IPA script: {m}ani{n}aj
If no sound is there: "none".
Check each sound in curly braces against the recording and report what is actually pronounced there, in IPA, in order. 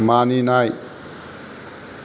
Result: m, n

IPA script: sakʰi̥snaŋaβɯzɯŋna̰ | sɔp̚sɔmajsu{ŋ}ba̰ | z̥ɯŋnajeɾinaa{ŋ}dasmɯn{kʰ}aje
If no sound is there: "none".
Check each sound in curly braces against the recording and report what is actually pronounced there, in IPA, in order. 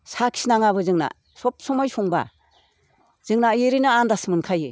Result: ŋ, n, kʰ

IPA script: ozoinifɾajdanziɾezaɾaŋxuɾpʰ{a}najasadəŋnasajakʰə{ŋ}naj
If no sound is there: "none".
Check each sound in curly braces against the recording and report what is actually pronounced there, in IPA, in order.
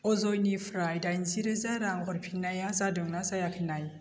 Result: i, none

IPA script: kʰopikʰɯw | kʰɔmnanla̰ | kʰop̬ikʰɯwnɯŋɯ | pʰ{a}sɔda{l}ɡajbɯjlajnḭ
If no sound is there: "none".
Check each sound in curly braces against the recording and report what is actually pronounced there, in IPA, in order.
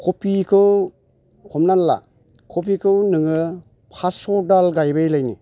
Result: a, l

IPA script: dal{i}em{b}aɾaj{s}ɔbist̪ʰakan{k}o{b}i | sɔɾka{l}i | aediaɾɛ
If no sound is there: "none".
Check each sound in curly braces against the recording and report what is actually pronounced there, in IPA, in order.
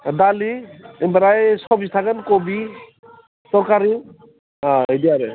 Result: i, b, s, k, b, ɾ

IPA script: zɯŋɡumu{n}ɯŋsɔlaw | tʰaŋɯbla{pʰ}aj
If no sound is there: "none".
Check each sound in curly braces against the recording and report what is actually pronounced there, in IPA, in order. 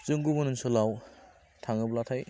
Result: n, tʰ

